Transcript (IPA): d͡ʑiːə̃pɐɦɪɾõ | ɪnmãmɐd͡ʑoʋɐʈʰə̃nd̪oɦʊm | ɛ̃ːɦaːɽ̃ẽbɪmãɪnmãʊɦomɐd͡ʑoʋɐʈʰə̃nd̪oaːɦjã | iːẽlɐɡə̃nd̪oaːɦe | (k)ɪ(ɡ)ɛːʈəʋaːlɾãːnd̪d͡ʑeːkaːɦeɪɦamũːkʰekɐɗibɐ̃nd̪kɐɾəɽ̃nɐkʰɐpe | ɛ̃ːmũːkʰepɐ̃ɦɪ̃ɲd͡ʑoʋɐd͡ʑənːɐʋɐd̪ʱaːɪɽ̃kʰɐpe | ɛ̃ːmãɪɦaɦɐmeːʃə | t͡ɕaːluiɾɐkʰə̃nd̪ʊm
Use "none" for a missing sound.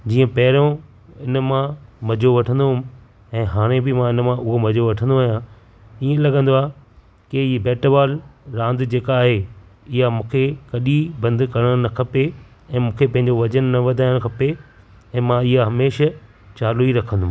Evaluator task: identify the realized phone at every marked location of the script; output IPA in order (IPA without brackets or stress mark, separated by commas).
k, b